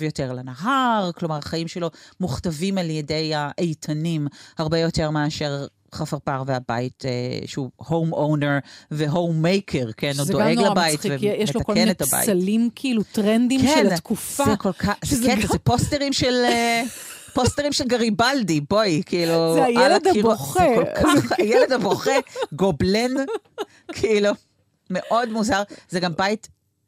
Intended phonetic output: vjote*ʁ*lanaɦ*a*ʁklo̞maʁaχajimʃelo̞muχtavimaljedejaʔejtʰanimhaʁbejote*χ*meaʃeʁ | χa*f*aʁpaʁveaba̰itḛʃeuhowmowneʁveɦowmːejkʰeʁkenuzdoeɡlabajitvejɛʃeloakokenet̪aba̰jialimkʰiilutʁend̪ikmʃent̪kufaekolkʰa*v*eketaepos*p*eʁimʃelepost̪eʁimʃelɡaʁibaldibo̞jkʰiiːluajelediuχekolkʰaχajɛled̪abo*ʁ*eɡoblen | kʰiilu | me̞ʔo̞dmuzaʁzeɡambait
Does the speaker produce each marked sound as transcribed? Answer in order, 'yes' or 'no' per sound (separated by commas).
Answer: yes, yes, no, yes, no, no, no